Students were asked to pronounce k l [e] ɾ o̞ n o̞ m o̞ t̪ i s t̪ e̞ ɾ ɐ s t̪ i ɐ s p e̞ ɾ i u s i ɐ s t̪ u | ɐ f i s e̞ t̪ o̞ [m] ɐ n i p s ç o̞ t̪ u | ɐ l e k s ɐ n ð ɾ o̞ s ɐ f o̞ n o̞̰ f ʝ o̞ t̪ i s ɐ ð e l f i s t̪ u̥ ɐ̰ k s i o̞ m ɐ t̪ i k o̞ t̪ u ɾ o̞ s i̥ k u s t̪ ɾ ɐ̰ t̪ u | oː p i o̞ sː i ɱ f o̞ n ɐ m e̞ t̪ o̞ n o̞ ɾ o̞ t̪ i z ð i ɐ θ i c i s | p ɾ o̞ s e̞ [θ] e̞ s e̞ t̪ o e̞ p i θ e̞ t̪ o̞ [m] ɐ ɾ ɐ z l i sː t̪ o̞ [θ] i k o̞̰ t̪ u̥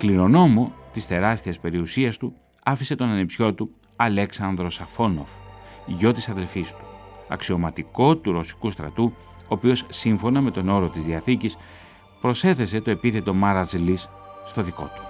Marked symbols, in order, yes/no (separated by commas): no, no, yes, yes, no